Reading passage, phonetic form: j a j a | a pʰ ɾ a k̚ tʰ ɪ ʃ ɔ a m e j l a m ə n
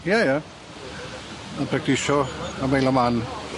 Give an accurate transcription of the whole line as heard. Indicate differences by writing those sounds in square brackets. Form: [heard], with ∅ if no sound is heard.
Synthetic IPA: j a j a | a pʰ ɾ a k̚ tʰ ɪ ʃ ɔ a m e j l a m [a] n